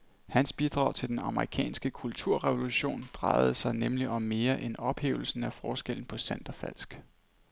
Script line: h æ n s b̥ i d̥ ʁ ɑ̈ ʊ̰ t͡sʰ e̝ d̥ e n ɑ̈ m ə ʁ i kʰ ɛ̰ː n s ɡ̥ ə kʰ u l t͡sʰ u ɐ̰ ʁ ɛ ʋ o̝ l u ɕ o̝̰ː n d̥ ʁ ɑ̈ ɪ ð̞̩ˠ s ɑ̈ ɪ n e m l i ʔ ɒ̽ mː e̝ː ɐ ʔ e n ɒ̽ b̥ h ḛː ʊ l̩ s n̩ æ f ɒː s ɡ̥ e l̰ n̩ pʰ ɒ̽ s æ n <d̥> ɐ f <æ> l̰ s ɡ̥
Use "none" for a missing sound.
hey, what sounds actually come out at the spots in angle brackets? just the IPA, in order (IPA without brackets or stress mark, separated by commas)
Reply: d̥, æ